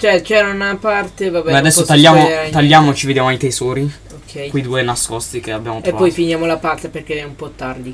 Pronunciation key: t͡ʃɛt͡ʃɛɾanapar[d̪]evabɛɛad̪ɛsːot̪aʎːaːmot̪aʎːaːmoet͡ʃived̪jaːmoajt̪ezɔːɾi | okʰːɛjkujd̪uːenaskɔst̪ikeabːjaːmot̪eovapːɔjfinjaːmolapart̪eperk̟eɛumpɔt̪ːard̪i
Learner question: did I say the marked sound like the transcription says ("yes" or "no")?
no